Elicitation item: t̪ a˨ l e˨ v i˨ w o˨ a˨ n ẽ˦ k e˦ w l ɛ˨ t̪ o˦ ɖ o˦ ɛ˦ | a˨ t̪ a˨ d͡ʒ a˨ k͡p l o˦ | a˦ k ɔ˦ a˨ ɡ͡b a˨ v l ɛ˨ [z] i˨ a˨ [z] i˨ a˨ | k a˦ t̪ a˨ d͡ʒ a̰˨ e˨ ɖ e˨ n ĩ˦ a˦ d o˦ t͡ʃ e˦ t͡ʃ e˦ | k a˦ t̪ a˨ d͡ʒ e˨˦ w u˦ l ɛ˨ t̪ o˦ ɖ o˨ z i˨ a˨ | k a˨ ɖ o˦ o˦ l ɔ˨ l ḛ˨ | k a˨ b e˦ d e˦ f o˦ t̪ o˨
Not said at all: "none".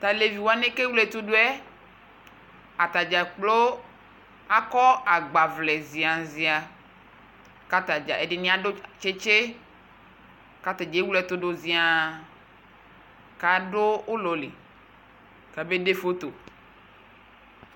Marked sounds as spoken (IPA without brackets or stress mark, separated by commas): z, z